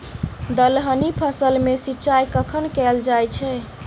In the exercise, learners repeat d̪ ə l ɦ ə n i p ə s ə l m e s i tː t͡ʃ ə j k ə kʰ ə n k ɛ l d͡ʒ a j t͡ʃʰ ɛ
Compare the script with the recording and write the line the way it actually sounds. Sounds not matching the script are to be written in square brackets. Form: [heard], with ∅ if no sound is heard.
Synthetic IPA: d̪ ə l ɦ ə n i [pʰ] ə s ə l m e s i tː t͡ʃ [a] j k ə kʰ ə n k ɛ l d͡ʒ a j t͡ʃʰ ɛ